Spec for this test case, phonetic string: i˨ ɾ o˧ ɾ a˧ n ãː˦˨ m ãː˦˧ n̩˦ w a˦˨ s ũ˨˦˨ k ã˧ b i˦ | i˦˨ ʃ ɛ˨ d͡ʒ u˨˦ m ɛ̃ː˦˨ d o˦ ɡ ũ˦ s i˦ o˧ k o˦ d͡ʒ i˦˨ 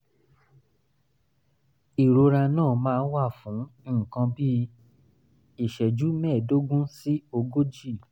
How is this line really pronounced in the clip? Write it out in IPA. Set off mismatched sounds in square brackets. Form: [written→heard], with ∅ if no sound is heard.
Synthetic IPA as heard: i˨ ɾ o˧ ɾ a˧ n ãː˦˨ m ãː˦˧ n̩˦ w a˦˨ [s→f] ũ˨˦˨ k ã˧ b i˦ | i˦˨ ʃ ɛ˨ d͡ʒ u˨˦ m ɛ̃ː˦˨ d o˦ ɡ ũ˦ s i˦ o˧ [k→ɡ] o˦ d͡ʒ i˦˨